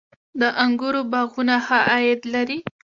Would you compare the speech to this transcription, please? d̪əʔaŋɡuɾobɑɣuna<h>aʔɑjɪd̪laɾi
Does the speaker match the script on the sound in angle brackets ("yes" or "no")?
yes